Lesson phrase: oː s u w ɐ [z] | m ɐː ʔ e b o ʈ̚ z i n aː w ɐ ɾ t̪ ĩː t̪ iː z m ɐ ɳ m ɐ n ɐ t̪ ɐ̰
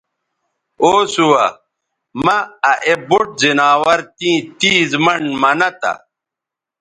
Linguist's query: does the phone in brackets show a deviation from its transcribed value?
yes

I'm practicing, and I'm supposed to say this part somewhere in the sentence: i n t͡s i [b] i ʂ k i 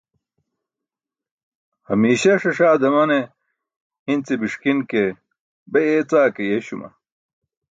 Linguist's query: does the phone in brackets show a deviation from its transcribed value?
no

